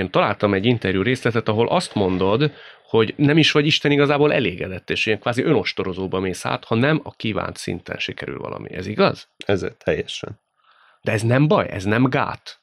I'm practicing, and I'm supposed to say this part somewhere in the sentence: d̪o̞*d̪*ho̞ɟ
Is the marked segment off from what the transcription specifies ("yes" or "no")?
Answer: no